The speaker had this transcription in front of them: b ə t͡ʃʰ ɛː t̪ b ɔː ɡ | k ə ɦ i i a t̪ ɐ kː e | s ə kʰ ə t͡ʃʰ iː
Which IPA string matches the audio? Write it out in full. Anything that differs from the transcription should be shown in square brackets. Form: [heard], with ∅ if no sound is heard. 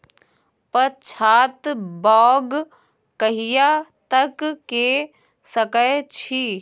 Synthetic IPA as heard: [p] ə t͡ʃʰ [aː] t̪ b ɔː ɡ | k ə ɦ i [j] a t̪ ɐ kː e | s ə [k] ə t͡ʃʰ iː